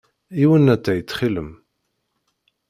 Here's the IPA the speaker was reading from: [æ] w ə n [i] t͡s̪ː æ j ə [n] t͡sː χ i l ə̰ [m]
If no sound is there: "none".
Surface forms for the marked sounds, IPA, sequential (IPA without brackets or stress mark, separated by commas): i, æ, none, m